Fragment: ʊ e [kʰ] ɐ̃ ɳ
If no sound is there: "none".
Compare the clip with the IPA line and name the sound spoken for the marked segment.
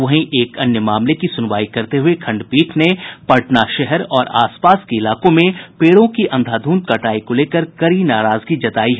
kʰ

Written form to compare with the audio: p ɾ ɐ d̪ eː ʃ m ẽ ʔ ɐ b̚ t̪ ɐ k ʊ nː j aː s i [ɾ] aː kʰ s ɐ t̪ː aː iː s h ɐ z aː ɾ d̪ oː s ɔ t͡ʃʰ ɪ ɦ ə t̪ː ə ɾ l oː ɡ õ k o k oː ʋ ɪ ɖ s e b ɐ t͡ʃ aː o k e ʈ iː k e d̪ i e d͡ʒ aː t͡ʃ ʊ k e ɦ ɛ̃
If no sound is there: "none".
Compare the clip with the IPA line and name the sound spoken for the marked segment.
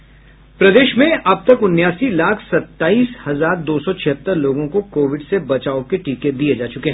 l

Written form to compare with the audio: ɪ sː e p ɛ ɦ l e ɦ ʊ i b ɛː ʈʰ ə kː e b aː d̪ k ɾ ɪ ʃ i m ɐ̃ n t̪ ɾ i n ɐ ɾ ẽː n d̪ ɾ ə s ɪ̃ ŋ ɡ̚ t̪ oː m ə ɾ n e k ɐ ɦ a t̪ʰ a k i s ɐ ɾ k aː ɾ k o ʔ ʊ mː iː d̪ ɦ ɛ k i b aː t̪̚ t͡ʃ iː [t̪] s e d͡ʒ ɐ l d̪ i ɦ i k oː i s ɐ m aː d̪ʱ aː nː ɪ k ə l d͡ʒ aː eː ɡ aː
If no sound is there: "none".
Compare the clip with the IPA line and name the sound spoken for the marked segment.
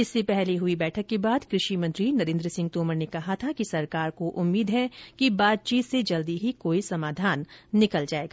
t̪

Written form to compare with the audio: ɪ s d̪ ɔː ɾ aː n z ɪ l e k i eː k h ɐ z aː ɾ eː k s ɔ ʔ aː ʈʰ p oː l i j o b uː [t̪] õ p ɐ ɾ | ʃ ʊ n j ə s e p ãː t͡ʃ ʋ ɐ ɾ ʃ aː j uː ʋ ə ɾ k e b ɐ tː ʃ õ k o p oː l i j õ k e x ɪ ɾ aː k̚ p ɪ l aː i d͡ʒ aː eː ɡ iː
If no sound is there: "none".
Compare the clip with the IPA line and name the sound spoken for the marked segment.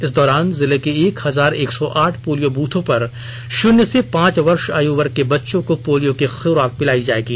t̪ʰ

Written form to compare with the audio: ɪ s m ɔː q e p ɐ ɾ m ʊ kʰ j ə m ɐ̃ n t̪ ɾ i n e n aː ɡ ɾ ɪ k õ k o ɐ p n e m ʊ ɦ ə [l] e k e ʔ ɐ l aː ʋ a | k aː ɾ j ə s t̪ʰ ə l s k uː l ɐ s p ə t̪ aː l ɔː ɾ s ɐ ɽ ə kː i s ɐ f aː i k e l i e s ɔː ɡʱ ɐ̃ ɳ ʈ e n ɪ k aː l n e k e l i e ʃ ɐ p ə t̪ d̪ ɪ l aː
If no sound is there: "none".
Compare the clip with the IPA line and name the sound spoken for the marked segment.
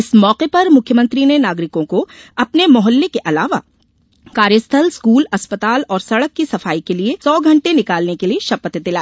lː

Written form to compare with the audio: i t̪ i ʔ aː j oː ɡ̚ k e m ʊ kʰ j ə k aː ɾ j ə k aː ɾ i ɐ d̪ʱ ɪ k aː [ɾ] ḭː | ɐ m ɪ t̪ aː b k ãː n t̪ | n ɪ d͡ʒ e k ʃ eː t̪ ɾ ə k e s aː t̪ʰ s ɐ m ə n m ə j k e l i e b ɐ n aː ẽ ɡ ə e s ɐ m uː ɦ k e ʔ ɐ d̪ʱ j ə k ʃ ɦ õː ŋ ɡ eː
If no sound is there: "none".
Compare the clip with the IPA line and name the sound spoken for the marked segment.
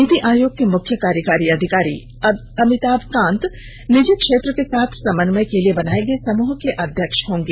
ɾ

